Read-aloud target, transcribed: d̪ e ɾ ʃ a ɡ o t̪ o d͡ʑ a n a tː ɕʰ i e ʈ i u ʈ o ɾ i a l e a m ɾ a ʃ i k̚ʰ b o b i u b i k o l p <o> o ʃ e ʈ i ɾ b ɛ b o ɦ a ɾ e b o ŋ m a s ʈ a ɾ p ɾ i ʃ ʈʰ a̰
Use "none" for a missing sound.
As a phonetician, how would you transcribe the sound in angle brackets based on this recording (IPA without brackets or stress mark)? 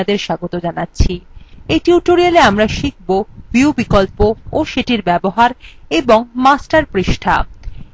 o